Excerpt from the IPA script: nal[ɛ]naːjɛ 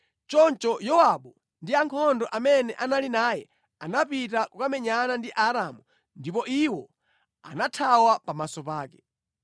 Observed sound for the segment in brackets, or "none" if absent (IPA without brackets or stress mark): i